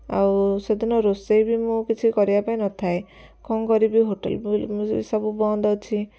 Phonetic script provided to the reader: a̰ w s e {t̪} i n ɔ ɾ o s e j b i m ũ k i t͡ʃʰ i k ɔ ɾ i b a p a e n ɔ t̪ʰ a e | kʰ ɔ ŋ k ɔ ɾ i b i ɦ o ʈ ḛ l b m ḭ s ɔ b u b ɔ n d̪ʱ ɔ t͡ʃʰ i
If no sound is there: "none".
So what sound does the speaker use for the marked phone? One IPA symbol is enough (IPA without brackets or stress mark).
d̪